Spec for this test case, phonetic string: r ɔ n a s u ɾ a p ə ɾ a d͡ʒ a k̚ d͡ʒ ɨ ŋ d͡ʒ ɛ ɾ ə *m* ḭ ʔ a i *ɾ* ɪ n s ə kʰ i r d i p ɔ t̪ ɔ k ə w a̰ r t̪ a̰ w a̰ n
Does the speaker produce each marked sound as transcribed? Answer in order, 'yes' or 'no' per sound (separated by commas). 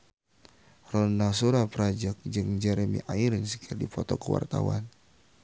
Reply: yes, yes